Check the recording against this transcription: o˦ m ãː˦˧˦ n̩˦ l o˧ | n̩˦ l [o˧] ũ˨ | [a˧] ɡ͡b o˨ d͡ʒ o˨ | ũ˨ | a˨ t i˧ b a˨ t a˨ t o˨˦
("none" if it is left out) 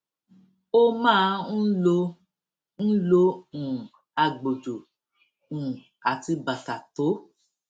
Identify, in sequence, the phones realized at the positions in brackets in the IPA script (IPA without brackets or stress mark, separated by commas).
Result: o˧, a˧